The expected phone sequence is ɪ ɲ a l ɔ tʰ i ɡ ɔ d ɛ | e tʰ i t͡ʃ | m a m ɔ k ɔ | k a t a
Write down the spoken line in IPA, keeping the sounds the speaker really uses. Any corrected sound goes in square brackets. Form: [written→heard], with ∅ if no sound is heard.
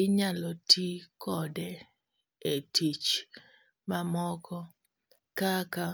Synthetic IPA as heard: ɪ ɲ a l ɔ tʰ i [ɡ→k] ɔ d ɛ | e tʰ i t͡ʃ | m a m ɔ k ɔ | k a [t→k] a